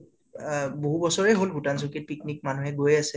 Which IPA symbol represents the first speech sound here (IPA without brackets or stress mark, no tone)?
b